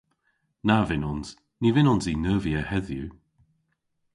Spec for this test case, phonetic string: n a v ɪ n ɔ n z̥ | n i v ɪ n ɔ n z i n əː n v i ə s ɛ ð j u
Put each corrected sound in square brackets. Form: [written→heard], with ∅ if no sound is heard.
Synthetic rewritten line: n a v ɪ n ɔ n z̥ | n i v ɪ n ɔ n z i n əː [n→∅] v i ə [s→h] ɛ ð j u